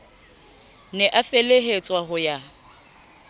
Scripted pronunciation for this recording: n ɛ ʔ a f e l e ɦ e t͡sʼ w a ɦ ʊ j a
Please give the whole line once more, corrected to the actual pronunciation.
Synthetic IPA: n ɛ ʔ a f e l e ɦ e t͡sʼ w a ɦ ʊ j a